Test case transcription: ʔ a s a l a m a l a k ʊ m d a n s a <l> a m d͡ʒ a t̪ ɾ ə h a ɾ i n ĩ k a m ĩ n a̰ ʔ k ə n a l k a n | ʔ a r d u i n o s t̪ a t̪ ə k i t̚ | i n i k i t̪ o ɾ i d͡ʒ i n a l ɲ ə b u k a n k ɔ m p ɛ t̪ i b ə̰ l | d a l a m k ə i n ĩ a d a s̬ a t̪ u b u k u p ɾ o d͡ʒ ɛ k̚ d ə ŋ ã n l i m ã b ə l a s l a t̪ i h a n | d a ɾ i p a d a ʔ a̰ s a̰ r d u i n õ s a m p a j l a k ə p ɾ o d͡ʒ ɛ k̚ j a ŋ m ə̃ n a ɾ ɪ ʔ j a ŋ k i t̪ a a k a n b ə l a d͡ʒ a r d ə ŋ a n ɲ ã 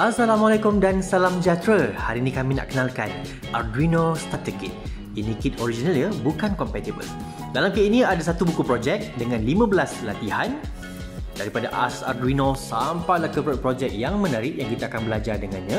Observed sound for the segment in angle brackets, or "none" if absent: l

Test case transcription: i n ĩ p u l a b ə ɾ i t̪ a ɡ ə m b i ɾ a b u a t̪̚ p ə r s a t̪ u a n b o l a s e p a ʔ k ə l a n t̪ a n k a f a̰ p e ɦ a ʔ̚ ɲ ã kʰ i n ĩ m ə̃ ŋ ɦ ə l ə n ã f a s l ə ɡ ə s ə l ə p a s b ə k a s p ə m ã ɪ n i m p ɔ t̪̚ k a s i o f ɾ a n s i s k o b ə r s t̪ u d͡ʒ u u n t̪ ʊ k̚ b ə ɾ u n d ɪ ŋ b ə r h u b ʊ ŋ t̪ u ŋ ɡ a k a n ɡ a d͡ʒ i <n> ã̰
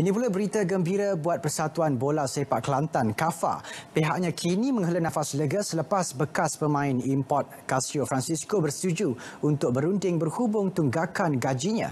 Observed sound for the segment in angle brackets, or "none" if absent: ɲ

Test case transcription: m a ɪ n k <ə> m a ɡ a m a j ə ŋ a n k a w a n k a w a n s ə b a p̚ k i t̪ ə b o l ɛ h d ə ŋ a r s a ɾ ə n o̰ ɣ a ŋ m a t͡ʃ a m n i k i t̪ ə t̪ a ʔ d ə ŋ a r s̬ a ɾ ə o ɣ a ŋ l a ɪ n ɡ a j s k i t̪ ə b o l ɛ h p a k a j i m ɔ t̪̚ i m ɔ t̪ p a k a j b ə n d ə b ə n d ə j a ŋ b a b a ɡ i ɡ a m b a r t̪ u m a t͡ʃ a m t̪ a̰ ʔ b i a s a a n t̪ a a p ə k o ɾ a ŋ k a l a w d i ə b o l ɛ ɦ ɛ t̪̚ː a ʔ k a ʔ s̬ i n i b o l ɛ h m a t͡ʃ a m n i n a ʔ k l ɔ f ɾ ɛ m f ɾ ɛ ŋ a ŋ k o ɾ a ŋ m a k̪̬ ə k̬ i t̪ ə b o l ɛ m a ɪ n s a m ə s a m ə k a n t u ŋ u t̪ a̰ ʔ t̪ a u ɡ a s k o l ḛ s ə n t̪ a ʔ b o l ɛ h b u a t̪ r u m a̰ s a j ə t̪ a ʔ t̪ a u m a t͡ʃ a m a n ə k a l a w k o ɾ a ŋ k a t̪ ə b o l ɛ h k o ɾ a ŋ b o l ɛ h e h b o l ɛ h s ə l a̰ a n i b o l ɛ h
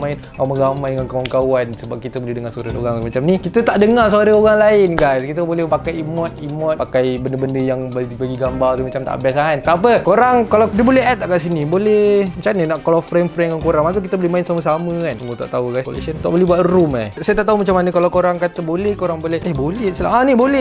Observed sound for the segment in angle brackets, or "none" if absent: a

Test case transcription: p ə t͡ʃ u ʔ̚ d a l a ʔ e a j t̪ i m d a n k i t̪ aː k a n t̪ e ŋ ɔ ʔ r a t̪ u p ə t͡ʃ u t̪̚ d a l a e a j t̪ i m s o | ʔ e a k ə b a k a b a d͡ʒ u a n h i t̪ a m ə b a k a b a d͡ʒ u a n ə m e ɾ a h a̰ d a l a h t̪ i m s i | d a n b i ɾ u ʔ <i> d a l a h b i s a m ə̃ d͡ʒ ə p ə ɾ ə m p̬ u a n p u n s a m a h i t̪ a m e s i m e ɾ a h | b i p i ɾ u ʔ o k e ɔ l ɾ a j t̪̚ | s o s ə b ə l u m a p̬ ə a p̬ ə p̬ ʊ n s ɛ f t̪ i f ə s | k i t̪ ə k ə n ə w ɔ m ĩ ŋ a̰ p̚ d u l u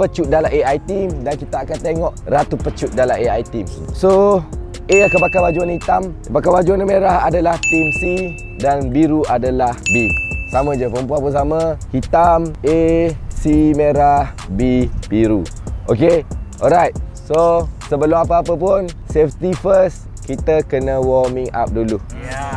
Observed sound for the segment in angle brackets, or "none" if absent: a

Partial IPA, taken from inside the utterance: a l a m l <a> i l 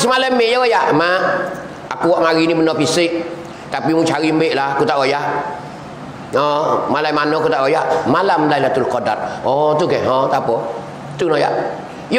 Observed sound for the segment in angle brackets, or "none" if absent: a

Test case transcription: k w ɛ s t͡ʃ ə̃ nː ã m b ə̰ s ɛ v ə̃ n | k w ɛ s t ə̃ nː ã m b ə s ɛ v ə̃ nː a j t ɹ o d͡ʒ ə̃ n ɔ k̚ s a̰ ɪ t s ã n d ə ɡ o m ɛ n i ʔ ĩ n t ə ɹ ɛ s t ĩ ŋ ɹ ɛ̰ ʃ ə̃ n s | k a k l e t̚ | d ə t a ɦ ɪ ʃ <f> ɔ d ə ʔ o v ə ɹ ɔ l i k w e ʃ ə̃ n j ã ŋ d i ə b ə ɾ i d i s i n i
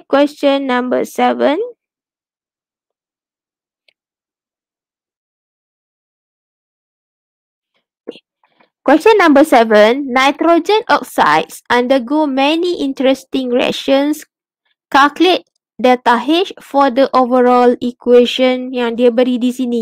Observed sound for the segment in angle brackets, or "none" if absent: f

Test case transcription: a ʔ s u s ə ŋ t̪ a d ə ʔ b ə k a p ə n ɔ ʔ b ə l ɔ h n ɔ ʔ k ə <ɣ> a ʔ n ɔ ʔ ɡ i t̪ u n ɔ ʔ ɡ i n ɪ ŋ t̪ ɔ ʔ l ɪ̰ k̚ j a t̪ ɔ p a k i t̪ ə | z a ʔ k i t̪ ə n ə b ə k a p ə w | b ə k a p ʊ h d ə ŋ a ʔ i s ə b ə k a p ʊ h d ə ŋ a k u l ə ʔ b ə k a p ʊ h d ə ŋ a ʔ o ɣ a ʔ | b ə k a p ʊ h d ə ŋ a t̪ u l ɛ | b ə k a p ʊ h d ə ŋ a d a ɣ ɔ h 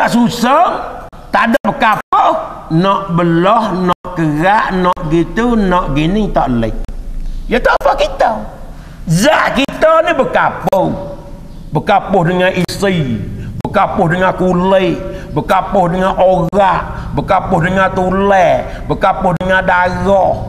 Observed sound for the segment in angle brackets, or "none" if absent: ɣ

